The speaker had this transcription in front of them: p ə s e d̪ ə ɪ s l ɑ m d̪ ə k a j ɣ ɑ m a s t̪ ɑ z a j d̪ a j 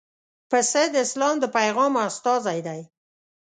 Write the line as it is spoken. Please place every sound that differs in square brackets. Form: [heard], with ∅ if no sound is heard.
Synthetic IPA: p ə s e d̪ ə ɪ s l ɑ m d̪ ə [p] a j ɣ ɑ m a s t̪ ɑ z a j d̪ a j